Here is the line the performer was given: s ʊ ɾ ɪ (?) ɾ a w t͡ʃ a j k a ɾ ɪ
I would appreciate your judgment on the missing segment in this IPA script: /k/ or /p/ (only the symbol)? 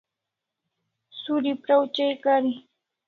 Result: p